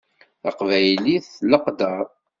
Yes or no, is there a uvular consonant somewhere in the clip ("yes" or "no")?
yes